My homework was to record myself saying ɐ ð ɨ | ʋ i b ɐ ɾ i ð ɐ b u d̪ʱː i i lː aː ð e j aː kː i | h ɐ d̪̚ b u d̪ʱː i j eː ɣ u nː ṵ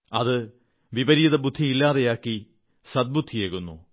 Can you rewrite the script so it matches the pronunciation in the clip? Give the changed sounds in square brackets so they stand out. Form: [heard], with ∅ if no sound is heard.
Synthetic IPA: ɐ ð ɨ | ʋ i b ɐ ɾ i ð ɐ b u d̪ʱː i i lː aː ð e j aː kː i | [s] ɐ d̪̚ b u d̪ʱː i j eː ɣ u nː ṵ